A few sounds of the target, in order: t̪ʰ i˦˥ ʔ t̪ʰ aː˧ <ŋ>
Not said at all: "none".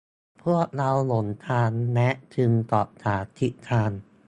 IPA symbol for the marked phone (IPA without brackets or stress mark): n